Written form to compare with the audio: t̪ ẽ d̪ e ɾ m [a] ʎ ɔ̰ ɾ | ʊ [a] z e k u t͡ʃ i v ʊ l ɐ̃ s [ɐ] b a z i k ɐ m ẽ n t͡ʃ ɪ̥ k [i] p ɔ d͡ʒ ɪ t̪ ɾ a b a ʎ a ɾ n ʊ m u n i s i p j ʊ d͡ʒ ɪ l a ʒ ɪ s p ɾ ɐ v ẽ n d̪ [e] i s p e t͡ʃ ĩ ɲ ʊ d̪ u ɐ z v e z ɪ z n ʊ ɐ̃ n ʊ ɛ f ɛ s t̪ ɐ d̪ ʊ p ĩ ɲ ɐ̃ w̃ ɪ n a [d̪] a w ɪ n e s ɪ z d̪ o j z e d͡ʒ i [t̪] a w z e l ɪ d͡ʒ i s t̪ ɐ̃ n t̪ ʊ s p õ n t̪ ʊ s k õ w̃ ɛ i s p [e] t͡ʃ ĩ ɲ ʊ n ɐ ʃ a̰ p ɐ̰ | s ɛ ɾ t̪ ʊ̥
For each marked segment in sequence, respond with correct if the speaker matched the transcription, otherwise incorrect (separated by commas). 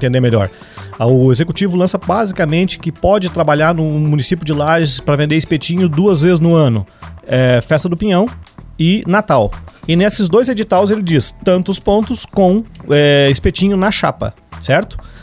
incorrect, incorrect, correct, incorrect, correct, incorrect, correct, correct